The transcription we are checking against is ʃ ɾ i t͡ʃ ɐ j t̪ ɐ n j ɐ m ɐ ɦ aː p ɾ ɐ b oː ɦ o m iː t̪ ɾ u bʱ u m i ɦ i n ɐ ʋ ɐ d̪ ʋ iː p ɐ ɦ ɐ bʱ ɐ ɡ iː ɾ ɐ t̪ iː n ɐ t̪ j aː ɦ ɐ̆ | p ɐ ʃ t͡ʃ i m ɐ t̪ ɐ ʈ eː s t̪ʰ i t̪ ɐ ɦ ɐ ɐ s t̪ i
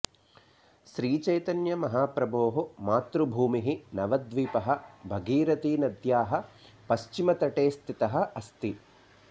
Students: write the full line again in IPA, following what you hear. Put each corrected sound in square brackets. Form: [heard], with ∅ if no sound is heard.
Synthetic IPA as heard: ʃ ɾ [iː] t͡ʃ ɐ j t̪ ɐ n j ɐ m ɐ ɦ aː p ɾ ɐ b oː ɦ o m [aː] t̪ ɾ u bʱ [uː] m i ɦ i n ɐ ʋ ɐ d̪ ʋ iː p ɐ ɦ ɐ bʱ ɐ ɡ iː ɾ ɐ t̪ iː n ɐ [d̪] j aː ɦ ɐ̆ | p ɐ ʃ t͡ʃ i m ɐ t̪ ɐ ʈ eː s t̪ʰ i t̪ ɐ ɦ ɐ ɐ s t̪ i